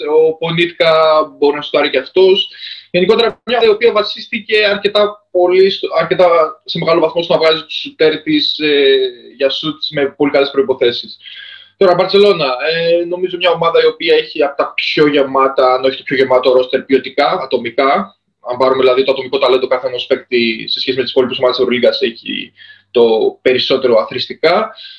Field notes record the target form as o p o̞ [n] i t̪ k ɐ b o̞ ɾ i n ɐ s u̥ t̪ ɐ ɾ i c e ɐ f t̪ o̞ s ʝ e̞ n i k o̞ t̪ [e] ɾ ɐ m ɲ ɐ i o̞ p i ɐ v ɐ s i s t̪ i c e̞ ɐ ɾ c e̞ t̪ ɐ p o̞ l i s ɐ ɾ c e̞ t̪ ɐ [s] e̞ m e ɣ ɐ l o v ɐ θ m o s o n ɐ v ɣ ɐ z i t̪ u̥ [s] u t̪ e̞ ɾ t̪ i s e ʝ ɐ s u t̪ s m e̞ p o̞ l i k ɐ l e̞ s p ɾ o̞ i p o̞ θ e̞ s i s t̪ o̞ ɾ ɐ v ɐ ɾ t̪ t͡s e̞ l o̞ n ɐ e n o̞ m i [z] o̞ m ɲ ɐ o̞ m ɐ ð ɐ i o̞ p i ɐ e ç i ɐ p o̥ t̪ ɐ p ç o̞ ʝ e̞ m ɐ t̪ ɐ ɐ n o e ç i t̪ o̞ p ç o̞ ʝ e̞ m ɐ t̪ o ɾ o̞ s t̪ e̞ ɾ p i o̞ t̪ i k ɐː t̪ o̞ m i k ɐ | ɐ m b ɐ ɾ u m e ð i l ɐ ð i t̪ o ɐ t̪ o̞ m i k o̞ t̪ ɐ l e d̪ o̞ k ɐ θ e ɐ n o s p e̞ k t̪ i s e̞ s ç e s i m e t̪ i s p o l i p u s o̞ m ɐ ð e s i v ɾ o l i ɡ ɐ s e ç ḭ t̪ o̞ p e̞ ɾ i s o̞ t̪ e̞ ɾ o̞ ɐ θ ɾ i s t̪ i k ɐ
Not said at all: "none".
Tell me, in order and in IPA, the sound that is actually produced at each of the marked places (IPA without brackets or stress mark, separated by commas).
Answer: n, e, s, s, z